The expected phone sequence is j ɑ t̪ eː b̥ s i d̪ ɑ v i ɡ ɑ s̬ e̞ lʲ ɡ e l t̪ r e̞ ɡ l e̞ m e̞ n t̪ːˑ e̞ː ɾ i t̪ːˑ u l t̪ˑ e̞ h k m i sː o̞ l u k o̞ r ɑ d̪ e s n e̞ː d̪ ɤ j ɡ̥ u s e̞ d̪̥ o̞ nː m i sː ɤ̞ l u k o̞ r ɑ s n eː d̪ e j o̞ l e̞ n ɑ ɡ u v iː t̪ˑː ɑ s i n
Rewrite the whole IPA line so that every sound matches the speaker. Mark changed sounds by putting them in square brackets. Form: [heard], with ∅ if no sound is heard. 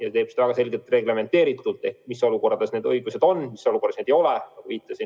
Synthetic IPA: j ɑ t̪ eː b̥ s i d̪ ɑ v [æ] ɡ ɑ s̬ e̞ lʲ ɡ e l t̪ r e̞ ɡ l e̞ m e̞ n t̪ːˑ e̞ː ɾ i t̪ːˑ u l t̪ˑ e̞ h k m i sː o̞ l u k o̞ r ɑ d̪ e s n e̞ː d̪ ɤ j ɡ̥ u s e̞ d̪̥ o̞ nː m i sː [o̞] l u k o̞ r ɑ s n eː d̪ e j o̞ l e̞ n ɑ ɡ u v iː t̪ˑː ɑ s i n